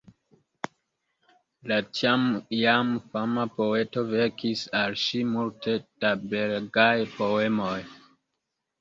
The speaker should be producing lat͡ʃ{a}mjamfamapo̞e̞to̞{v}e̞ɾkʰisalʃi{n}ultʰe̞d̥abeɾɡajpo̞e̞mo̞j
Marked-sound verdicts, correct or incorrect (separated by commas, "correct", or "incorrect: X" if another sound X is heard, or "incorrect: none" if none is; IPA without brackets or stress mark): correct, correct, incorrect: m